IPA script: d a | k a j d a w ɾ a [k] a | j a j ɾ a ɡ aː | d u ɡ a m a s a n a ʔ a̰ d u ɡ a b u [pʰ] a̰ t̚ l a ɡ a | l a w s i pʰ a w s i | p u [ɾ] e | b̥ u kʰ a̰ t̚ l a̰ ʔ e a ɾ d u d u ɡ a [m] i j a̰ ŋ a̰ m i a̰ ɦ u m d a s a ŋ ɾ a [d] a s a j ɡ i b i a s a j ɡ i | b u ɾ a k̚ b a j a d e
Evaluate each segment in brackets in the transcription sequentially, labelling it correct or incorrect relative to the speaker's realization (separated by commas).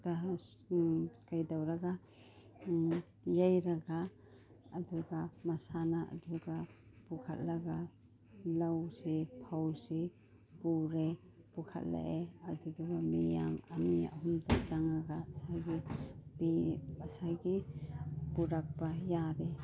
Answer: incorrect, incorrect, correct, correct, incorrect